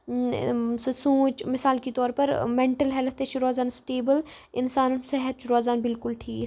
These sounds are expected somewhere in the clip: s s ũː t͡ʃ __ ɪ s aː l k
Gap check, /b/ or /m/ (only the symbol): m